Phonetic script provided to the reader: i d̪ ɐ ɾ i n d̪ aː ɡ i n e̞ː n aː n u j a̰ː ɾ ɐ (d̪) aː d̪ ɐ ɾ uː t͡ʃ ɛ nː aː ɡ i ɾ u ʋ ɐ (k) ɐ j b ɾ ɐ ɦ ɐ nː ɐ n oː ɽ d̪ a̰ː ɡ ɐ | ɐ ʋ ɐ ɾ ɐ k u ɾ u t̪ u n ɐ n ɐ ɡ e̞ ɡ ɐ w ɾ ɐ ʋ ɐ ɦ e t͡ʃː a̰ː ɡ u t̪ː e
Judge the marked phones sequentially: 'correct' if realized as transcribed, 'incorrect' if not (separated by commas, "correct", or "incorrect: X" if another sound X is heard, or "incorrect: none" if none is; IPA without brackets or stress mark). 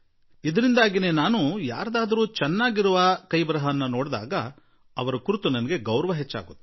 correct, correct